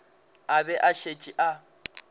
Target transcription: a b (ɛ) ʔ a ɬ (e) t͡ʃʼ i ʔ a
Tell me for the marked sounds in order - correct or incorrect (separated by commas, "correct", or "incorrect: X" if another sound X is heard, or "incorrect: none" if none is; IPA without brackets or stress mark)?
correct, correct